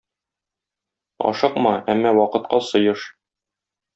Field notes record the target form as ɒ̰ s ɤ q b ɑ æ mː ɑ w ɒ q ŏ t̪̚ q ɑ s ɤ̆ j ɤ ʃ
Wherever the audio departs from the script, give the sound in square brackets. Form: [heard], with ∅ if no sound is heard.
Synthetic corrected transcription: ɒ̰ [ʃ] ɤ q [m] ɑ æ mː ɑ w ɒ q [ɤ̆] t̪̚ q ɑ s ɤ̆ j ɤ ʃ